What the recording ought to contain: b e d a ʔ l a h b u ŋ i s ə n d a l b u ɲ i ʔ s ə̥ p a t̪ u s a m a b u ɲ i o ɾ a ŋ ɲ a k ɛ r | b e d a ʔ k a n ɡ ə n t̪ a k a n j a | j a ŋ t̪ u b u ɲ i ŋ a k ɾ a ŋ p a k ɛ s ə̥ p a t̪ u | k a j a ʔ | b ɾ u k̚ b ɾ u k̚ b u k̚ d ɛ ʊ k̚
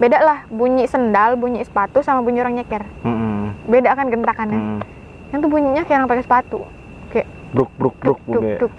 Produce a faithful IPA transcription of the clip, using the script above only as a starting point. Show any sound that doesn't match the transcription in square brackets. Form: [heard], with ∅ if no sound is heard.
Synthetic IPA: b e d a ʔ l a h b u [ɲ] i s ə n d a l b u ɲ i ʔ s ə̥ p a t̪ u s a m a b u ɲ i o ɾ a ŋ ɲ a k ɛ r | b e d a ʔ k a n ɡ ə n t̪ a k a n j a | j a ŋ t̪ u b u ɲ i [ɲ] a k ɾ a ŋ p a k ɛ s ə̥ p a t̪ u | k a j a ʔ | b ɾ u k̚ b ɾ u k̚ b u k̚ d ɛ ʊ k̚